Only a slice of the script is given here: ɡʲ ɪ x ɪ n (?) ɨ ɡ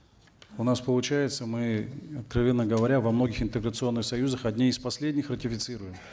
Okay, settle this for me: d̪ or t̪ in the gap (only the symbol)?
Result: t̪